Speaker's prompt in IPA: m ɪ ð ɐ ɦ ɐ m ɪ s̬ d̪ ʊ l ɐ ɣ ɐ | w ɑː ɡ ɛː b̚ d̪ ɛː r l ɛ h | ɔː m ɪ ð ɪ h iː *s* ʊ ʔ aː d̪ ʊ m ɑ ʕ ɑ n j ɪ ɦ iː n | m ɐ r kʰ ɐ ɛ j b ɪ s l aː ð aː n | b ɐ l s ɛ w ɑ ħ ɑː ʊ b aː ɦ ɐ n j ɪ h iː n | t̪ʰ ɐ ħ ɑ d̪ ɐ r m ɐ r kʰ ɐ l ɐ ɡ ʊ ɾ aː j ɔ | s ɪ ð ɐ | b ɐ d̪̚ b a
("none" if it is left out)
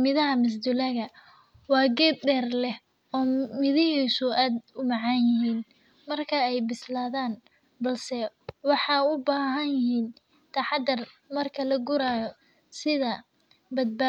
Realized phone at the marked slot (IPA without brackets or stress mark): s